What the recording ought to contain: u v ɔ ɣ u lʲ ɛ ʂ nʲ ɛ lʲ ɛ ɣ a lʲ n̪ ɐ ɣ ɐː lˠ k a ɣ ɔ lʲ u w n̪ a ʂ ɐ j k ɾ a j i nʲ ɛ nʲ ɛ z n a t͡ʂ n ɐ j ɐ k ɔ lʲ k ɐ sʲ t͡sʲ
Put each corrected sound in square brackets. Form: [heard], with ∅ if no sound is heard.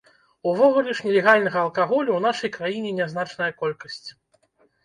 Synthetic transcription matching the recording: u v ɔ ɣ u lʲ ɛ ʂ nʲ ɛ lʲ ɛ ɣ a lʲ n̪ ɐ ɣ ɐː lˠ k a ɣ ɔ lʲ u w n̪ a ʂ ɐ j k ɾ a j i nʲ ɛ nʲ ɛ z n a t͡ʂ n ɐ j ɐ k ɔ lʲ k ɐ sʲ t͡sʲ